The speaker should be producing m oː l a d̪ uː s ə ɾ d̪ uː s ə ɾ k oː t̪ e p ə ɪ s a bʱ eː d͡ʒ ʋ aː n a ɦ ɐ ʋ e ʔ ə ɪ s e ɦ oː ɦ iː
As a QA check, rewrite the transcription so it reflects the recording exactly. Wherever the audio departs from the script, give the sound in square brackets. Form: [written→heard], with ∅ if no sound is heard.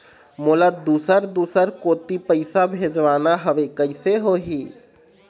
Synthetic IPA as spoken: m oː l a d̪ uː s ə ɾ d̪ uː s ə ɾ k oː t̪ [e→i] p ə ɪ s a bʱ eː d͡ʒ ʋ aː n a ɦ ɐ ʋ e [ʔ→k] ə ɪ s e ɦ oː ɦ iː